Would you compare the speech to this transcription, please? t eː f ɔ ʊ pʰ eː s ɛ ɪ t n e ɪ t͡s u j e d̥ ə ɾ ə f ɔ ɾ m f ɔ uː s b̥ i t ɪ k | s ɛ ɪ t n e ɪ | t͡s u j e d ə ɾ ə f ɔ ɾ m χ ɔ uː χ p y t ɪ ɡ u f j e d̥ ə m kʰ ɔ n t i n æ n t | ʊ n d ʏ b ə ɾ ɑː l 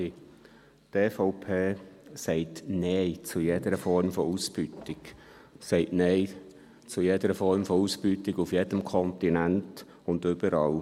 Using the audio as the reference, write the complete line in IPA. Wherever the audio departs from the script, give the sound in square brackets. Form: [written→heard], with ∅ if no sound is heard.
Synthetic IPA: t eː f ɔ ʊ pʰ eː s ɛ ɪ t n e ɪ t͡s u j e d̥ ə ɾ ə f ɔ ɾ m f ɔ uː s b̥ [i→y] t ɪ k | s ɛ ɪ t n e ɪ | t͡s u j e d ə ɾ ə f ɔ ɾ m [χ→f] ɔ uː [χ→s] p y t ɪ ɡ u f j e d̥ ə m kʰ ɔ n t i n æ n t | ʊ n d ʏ b ə ɾ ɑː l